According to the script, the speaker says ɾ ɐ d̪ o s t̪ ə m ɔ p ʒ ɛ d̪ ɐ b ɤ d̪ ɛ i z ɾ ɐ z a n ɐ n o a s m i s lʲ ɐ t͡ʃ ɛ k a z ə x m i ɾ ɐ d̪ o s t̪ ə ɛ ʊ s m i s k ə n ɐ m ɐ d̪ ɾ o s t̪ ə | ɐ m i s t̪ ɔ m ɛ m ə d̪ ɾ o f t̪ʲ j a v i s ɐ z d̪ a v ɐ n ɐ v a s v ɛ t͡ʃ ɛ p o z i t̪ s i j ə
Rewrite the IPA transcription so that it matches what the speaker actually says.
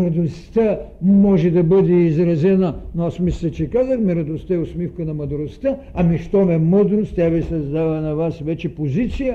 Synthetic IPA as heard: ɾ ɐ d̪ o s t̪ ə m ɔ ʒ ɛ d̪ ɐ b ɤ d̪ ɛ i z ɾ ɐ z ɛ n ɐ n o a s m i s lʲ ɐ t͡ʃ ɛ k a z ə x m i ɾ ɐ d̪ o s t̪ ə ɛ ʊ s m i f k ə n ɐ m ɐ d̪ ɾ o s t̪ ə | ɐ m i ʃ t̪ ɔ m ɛ m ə d̪ ɾ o s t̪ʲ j a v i s ɐ z d̪ a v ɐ n ɐ v a s v ɛ t͡ʃ ɛ p o z i t̪ s i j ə